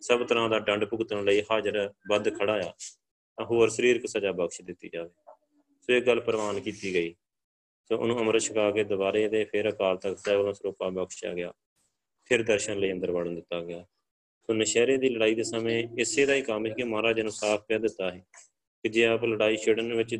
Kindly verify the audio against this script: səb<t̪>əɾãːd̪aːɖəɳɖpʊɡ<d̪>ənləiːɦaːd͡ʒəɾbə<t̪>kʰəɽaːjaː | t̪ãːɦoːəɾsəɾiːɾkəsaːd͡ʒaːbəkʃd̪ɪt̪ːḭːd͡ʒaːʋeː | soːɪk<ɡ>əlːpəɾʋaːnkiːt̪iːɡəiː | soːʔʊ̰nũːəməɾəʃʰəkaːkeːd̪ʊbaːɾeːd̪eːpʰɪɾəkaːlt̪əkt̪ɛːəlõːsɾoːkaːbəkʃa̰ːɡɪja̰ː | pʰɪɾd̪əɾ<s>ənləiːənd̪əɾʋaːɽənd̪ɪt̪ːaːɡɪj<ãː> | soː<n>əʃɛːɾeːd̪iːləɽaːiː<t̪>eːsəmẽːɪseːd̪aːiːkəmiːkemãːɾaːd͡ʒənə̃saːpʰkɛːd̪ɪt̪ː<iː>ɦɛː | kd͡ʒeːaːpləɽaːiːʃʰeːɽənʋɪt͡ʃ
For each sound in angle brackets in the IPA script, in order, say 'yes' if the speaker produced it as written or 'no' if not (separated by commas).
yes, no, no, yes, no, no, yes, no, no